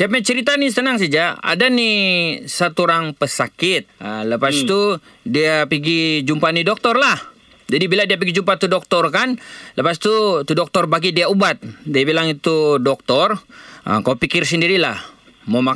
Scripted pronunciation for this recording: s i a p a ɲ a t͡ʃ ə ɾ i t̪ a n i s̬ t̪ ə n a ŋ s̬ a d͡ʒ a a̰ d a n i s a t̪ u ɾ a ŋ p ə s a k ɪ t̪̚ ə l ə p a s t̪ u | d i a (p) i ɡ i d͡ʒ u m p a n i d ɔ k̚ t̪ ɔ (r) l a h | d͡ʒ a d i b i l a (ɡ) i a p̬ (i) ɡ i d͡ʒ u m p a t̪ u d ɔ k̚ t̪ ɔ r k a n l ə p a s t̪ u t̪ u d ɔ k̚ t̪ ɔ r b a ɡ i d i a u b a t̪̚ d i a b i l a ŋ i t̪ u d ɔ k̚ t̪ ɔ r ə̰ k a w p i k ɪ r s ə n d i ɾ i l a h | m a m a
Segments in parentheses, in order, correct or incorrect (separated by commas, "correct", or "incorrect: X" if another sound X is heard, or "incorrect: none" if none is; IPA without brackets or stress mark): correct, correct, incorrect: d, correct